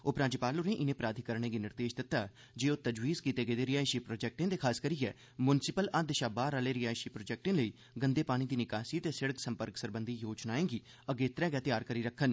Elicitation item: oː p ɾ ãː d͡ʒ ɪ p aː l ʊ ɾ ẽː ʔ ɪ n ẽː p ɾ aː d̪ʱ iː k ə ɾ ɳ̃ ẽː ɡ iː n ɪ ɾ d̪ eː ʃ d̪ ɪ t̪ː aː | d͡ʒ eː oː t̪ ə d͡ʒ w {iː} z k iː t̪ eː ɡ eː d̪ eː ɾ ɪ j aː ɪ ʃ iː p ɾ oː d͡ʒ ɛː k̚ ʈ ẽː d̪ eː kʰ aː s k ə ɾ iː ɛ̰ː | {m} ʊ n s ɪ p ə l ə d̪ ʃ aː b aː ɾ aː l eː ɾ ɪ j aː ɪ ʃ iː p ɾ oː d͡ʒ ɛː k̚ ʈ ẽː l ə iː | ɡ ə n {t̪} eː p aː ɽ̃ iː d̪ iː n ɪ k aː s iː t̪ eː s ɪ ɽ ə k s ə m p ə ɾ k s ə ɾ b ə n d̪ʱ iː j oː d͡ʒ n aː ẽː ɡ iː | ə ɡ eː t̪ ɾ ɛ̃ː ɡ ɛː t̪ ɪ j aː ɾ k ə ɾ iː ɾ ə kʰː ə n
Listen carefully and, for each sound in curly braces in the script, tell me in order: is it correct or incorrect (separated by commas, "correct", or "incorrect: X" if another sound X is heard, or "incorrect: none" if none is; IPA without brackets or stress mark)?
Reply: correct, correct, incorrect: d̪